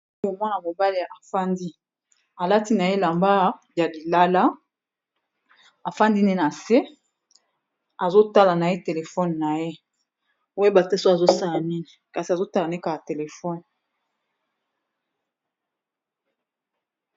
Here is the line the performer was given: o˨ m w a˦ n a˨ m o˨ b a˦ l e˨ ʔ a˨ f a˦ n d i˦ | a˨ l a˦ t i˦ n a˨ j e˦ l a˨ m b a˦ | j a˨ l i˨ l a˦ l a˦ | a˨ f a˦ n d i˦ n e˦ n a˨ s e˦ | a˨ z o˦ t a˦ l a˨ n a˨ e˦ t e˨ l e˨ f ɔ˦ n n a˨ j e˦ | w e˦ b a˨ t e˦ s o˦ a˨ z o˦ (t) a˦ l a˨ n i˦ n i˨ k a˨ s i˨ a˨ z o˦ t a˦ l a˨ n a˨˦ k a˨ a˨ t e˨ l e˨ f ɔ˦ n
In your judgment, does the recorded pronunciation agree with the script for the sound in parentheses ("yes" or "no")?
no